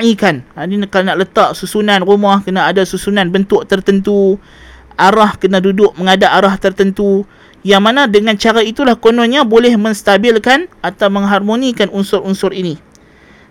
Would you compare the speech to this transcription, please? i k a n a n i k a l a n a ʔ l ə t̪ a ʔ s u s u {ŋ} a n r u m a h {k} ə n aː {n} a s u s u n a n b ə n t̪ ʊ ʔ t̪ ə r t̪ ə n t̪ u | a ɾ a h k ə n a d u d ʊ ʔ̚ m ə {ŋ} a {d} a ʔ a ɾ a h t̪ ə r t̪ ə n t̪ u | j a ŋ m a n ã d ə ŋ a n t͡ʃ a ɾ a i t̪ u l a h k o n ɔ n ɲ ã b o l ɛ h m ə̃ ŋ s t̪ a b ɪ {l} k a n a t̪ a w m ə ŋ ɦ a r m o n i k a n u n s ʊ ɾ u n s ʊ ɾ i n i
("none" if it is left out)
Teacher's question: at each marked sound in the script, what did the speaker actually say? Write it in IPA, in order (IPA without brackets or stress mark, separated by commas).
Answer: n, k, d, ŋ, d, l